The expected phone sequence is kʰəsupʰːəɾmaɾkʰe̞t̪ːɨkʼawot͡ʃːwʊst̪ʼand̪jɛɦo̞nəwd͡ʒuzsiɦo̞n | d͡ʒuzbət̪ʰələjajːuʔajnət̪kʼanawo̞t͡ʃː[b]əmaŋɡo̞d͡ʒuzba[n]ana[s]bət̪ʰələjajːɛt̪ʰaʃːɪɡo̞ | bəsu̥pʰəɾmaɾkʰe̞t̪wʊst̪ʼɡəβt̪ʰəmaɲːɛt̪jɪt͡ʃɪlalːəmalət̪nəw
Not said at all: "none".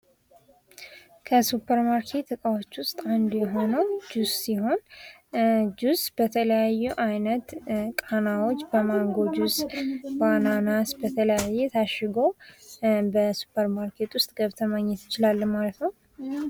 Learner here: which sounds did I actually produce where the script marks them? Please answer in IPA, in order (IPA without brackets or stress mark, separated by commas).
b, n, s